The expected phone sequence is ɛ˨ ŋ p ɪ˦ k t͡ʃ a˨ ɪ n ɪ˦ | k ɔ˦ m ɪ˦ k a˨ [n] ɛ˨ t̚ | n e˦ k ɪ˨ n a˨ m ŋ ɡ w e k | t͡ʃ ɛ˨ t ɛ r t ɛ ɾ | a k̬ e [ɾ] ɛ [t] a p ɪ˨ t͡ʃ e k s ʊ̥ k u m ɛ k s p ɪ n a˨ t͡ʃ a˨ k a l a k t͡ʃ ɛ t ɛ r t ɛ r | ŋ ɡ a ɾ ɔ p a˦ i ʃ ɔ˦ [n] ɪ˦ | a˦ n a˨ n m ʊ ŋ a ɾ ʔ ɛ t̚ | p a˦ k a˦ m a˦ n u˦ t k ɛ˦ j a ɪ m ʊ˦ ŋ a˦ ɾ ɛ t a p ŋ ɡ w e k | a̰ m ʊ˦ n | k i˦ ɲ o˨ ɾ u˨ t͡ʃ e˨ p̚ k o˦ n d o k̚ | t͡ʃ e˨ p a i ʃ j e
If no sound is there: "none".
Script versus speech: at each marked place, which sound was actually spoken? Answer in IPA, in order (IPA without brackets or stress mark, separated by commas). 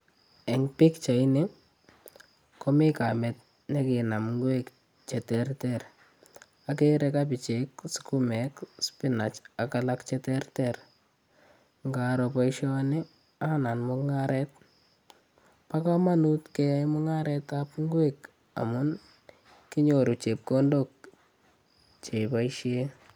m, ɾ, k, n